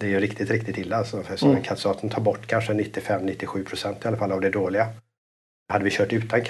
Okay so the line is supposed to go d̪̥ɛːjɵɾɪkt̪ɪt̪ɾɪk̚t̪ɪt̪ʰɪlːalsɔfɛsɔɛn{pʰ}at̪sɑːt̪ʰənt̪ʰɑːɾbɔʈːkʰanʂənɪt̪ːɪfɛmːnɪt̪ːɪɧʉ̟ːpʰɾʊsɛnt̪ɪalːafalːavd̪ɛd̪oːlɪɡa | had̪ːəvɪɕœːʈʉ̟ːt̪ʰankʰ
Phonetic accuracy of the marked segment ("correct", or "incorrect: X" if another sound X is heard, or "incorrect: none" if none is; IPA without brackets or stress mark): incorrect: kʰ